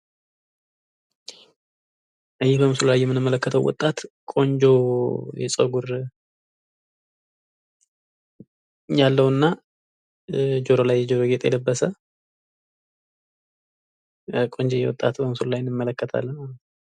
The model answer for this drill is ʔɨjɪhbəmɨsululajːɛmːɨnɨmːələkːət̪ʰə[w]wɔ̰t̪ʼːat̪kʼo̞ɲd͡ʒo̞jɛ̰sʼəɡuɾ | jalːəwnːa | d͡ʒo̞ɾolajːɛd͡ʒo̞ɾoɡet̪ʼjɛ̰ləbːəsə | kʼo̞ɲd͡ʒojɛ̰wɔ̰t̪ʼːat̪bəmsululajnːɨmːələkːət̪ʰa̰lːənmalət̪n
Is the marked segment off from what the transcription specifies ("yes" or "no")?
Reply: no